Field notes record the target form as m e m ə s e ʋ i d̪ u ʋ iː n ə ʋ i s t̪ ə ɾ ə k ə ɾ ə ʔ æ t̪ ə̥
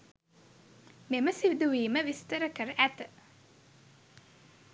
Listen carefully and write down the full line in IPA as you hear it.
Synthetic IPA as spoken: m e m ə s i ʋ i d̪ u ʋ iː m ə ʋ i s t̪ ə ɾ ə k ə ɾ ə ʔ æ t̪ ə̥